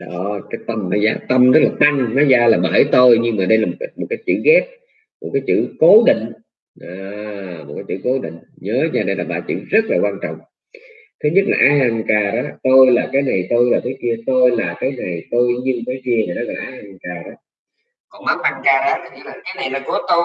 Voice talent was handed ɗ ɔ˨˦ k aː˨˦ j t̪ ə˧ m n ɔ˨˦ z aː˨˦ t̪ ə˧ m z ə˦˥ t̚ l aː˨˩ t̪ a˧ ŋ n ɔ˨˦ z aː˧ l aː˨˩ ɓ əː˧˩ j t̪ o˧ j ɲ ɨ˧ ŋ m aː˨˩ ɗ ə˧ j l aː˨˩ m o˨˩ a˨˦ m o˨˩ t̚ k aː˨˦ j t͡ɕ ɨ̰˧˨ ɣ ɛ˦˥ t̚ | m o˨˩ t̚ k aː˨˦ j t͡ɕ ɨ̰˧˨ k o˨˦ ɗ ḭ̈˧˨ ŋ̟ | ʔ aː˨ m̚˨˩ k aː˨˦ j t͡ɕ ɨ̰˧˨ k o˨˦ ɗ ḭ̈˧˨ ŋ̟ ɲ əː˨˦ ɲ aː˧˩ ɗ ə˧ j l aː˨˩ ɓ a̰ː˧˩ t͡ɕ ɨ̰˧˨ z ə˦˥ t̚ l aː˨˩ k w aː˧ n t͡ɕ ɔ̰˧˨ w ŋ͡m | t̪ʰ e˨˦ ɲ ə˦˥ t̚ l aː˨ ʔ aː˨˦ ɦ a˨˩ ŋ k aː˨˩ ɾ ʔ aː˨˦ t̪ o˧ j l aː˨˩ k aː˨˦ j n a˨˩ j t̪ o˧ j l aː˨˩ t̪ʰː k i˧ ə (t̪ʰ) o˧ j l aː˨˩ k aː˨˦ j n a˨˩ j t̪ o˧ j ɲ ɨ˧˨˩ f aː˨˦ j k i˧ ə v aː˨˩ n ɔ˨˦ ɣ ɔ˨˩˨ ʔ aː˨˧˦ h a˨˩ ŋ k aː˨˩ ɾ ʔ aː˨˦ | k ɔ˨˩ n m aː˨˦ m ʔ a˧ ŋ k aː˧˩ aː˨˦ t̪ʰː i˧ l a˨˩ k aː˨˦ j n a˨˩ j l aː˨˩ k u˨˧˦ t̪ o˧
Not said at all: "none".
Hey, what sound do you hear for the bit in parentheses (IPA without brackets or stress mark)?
t̪